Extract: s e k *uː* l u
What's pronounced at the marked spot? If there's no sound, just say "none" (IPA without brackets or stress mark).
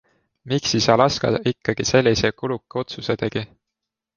u